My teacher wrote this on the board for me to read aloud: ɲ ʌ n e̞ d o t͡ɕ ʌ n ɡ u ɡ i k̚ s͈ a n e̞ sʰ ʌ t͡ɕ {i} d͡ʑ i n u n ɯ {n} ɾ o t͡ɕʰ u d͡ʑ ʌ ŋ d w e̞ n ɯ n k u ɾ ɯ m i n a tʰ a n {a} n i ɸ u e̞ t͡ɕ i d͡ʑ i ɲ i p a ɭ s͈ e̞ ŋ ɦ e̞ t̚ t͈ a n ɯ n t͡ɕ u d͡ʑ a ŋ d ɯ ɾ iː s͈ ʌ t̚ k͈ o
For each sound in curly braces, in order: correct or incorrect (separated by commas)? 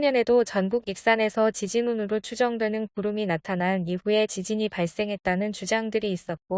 correct, incorrect, correct